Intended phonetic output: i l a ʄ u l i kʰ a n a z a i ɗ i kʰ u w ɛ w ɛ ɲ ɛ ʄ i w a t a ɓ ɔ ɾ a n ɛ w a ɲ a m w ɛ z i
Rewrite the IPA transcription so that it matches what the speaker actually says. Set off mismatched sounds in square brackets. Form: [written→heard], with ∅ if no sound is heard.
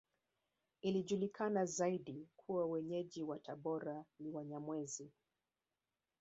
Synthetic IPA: i l [a→i] ʄ u l i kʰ a n a z a i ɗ i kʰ u w [ɛ→a] w ɛ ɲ ɛ ʄ i w a t a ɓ ɔ ɾ a n [ɛ→i] w a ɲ a m w ɛ z i